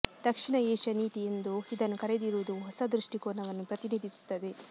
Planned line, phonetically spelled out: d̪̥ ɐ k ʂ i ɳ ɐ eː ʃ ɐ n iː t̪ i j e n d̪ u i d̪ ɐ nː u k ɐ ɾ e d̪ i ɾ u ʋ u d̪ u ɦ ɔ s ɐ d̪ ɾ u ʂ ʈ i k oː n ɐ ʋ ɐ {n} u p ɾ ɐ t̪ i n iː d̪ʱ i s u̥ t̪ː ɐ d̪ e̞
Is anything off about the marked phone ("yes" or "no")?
yes